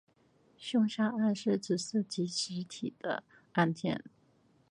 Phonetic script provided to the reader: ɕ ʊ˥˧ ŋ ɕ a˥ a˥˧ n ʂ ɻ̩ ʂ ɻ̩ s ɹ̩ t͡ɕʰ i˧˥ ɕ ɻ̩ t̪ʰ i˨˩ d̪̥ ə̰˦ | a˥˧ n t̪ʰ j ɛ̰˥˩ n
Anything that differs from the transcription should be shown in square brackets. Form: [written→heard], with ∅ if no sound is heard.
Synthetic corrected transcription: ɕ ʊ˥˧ ŋ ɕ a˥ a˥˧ n ʂ ɻ̩ [ʂ→ʈ͡ʂ] ɻ̩ s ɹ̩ [t͡ɕʰ→t͡ɕ] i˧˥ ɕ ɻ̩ t̪ʰ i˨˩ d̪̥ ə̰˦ | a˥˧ n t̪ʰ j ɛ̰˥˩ n